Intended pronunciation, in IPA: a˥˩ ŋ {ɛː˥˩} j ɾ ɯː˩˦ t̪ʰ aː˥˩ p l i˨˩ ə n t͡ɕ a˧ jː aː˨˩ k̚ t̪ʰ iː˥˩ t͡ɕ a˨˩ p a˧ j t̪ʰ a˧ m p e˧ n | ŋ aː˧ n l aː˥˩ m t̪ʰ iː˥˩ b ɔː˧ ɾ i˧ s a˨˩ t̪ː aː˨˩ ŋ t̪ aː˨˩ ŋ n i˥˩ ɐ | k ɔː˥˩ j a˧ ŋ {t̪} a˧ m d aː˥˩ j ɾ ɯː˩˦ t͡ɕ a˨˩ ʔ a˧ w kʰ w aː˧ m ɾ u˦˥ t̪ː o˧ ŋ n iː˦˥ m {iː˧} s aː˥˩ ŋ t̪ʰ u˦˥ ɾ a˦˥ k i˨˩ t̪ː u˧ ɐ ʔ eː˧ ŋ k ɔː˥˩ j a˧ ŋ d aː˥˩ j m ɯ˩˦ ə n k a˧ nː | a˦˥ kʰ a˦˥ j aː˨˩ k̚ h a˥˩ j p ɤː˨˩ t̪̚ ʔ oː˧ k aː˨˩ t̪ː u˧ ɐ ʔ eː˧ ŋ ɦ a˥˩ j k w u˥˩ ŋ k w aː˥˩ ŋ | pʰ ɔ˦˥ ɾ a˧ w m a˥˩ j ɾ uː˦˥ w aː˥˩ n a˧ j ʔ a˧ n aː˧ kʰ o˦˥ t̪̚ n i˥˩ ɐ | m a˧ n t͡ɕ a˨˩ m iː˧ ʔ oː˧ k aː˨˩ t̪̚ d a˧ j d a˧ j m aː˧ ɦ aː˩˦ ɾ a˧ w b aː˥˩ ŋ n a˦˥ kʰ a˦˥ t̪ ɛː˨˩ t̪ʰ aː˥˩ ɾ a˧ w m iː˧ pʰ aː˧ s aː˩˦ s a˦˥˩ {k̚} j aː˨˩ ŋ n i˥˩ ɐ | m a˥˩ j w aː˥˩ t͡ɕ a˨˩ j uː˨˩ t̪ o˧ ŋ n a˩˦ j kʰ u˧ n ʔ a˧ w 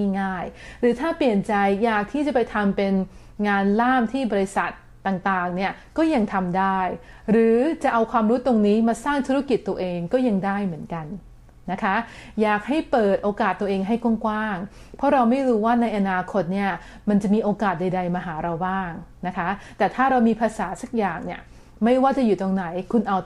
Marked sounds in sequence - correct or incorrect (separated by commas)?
incorrect, incorrect, incorrect, correct